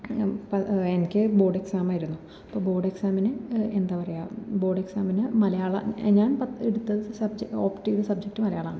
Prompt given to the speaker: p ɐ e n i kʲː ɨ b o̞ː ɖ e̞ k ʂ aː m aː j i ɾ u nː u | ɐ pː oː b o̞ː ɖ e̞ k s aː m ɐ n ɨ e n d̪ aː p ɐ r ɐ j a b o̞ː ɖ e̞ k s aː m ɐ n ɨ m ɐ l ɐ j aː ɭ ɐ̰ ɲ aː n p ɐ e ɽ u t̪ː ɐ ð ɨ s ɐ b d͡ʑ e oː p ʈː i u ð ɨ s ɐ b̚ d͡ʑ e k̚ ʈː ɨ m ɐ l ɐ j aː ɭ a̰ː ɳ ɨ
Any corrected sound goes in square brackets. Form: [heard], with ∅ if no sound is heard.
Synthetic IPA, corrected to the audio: p ɐ e n i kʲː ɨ b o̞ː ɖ e̞ k [s] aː m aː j i ɾ u nː u | ɐ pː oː b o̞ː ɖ e̞ k s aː m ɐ n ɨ e n d̪ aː p ɐ r ɐ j a b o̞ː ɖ e̞ k s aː m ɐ n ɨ m ɐ l ɐ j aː ɭ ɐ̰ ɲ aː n p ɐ e ɽ u t̪ː ɐ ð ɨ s ɐ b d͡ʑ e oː p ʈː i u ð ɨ s ɐ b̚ d͡ʑ e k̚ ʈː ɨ m ɐ l ɐ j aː ɭ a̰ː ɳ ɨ